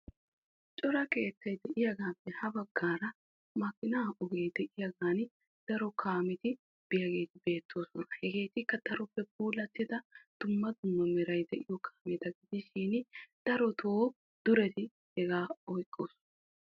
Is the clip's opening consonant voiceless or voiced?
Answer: voiceless